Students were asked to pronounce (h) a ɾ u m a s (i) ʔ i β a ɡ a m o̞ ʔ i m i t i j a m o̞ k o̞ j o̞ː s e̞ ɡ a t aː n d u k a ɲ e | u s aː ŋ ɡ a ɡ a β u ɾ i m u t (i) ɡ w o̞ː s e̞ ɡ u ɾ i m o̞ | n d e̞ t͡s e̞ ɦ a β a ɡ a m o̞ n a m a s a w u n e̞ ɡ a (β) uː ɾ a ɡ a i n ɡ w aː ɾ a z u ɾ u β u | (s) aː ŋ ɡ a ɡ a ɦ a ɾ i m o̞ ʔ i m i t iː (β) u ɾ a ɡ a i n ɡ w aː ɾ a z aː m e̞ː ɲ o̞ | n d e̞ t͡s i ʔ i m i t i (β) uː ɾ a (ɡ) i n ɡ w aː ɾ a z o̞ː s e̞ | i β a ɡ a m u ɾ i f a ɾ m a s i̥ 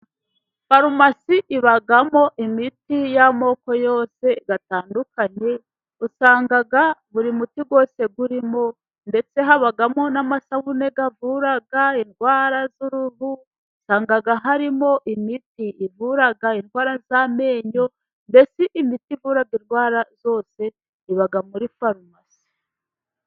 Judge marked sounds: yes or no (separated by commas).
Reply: no, yes, yes, no, yes, no, no, yes